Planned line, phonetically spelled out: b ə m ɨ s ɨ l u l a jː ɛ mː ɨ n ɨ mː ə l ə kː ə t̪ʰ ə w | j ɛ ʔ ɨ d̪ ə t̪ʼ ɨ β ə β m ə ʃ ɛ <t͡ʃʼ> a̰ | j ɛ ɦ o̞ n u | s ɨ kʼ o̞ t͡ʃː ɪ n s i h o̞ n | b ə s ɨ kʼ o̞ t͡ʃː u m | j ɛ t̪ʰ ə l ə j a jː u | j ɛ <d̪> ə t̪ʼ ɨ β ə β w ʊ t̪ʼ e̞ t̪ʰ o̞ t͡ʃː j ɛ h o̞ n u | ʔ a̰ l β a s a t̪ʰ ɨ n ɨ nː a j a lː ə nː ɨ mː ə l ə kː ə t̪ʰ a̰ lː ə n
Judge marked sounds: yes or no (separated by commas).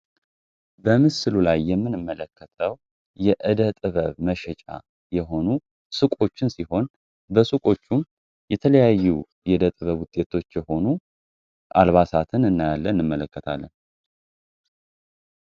yes, yes